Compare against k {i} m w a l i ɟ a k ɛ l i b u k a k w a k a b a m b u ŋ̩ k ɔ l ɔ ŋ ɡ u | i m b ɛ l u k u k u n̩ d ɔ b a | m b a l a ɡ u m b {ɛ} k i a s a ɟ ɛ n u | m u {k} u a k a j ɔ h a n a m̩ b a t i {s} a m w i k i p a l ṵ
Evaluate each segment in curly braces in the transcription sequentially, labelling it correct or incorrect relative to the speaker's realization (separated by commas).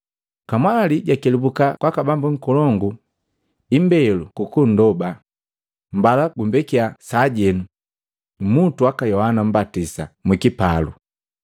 incorrect, correct, incorrect, correct